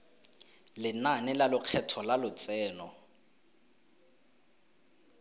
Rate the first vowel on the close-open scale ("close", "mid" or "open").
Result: close